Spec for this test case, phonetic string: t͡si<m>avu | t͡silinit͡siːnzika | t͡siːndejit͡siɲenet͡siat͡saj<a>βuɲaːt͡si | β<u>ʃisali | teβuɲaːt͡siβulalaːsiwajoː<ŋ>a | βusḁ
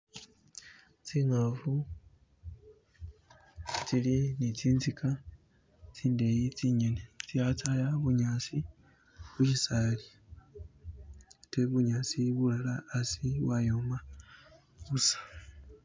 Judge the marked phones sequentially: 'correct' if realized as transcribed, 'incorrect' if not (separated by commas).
incorrect, correct, correct, incorrect